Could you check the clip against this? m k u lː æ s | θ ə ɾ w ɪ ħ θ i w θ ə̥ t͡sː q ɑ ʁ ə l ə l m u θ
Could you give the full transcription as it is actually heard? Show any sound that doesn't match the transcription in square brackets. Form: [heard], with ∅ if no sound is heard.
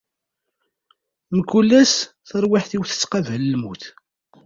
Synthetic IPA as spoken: m k u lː æ s | θ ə ɾ w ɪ ħ θ i w θ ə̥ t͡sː q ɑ [v] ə l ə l m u θ